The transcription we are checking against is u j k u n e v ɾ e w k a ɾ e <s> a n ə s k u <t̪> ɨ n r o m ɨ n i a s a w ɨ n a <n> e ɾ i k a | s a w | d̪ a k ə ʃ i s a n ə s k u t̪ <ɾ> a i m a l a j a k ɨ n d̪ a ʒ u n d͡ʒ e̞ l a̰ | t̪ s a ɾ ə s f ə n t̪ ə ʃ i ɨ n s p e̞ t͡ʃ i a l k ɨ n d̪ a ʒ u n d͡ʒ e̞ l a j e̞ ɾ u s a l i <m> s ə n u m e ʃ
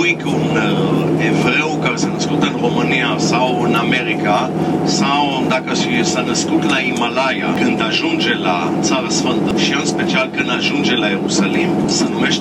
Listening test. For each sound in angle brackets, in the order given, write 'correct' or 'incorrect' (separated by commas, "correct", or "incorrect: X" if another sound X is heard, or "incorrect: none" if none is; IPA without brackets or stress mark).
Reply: correct, correct, incorrect: m, incorrect: l, correct